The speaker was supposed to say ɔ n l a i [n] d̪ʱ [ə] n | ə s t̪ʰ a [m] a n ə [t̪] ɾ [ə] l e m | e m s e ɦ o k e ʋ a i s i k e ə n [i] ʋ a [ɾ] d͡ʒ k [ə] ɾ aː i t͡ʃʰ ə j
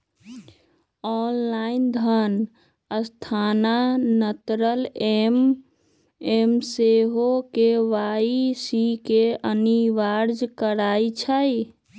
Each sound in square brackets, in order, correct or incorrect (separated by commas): correct, correct, incorrect, correct, correct, correct, correct, correct